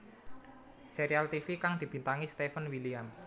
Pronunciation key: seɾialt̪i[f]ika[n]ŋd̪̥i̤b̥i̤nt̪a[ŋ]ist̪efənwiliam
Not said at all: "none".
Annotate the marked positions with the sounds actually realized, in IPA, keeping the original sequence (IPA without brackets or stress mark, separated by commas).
f, none, ŋ